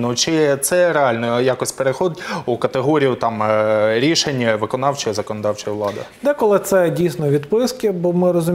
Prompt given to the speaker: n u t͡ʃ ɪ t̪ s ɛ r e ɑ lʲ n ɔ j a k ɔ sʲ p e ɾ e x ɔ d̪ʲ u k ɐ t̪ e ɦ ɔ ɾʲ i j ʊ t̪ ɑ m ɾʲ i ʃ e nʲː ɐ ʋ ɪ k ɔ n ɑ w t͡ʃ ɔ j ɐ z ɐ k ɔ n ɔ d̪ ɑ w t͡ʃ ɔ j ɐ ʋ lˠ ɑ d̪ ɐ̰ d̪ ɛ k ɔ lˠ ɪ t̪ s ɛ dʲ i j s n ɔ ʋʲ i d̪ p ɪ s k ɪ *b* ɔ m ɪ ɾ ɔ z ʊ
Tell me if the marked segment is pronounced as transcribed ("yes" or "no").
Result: yes